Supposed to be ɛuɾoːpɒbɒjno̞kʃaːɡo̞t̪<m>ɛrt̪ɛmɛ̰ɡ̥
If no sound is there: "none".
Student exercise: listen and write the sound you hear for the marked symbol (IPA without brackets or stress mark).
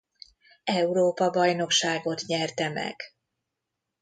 ɲ